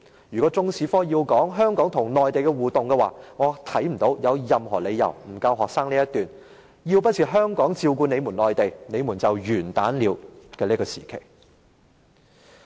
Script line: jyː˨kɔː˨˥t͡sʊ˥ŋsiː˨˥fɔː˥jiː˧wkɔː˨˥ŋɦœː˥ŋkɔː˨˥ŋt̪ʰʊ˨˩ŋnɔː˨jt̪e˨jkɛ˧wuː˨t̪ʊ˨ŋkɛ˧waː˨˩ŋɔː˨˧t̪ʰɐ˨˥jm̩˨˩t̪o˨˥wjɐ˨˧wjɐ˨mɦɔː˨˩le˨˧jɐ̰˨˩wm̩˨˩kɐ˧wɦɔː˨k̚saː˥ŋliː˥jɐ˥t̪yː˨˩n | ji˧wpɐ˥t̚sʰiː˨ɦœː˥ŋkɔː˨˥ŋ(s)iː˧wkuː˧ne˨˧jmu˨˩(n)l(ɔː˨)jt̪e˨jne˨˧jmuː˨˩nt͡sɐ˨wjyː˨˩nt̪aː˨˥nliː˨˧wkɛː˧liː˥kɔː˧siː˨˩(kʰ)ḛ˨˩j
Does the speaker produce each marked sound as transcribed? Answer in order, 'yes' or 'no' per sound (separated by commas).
no, yes, yes, yes